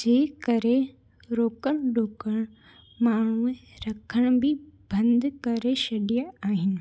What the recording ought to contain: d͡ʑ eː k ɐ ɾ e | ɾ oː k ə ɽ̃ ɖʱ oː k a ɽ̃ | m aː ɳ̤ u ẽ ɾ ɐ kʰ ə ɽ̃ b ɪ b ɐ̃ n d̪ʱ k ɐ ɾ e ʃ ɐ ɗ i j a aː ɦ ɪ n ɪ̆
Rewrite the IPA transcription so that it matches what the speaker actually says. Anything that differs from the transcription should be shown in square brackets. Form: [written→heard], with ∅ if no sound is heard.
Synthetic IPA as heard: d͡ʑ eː k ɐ ɾ e | ɾ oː k ə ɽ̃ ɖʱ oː k [a→ə] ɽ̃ | m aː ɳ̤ u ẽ ɾ ɐ kʰ ə ɽ̃ b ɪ b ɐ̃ n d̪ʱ k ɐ ɾ e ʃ ɐ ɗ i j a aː ɦ ɪ n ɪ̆

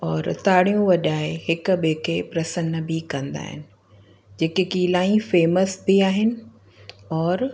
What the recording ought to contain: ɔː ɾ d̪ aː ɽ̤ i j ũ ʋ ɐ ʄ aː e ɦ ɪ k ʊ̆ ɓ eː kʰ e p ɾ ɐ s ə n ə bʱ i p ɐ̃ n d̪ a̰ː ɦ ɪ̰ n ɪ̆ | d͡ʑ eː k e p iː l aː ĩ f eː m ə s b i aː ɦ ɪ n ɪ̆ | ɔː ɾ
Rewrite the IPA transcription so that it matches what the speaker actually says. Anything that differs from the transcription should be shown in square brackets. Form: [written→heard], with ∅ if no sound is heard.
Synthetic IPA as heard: ɔː ɾ [d̪→t̪] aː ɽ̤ i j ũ ʋ ɐ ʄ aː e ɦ ɪ k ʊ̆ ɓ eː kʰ e p ɾ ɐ s ə n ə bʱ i [p→k] ɐ̃ n d̪ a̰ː ɦ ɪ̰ n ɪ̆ | d͡ʑ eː k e [p→k] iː l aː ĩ f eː m ə s b i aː ɦ ɪ n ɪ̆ | ɔː ɾ

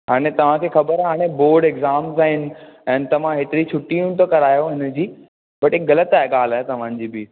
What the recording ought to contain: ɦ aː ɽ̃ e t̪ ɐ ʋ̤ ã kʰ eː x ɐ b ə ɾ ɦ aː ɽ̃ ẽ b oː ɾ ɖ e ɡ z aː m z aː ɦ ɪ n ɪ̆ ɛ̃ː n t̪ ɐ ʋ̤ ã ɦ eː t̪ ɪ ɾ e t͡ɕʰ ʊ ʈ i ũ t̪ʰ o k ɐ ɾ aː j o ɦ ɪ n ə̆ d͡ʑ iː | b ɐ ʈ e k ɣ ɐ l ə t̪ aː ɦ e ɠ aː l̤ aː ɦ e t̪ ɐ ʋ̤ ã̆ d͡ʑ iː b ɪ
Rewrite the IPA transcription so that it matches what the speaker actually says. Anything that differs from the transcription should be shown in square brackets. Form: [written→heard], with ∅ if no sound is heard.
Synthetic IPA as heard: ɦ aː ɽ̃ e t̪ ɐ ʋ̤ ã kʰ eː x ɐ b ə ɾ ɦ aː ɽ̃ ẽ b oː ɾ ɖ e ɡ z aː m z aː ɦ ɪ n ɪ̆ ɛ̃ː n t̪ ɐ ʋ̤ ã ɦ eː t̪ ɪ ɾ [e→i] t͡ɕʰ ʊ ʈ i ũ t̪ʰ o k ɐ ɾ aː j o ɦ ɪ n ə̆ d͡ʑ iː | b ɐ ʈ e k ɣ ɐ l ə t̪ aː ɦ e ɠ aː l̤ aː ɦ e t̪ ɐ ʋ̤ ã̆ d͡ʑ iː b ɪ

